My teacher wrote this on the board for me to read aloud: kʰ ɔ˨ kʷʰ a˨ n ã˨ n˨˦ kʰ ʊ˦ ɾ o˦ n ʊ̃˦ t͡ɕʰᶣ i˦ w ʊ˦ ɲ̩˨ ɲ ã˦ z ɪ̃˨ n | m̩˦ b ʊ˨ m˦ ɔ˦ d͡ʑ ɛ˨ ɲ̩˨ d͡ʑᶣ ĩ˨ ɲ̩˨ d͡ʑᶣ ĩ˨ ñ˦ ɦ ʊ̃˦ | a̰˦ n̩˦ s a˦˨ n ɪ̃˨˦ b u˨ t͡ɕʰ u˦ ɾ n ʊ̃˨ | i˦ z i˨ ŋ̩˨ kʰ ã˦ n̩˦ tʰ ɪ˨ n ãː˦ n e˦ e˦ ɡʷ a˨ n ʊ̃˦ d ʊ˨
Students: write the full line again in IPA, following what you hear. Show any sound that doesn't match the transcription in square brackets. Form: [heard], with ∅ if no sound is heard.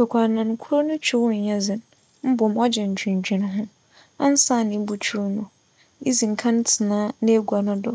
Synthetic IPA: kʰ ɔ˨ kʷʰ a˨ n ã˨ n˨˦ kʰ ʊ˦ ɾ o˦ n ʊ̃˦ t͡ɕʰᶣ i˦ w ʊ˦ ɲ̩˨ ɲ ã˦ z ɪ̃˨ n | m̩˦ b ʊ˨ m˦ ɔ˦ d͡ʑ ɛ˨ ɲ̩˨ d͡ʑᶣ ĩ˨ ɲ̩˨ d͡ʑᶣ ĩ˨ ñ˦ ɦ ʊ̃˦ | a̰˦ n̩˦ s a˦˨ n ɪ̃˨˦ b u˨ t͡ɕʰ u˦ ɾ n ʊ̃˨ | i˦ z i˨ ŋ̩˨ kʰ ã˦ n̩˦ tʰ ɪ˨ n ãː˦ n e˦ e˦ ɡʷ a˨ n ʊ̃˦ d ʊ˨